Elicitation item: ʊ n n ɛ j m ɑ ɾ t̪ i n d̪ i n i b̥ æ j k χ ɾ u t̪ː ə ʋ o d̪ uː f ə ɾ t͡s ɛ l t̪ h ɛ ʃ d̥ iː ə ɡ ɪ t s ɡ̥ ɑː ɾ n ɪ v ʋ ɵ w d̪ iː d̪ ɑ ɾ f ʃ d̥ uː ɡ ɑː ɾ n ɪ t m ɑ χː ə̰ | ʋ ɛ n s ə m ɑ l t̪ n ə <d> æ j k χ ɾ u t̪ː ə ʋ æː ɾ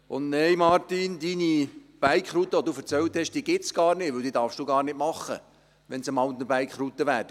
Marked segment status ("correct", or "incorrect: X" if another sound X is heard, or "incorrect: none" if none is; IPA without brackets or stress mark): incorrect: b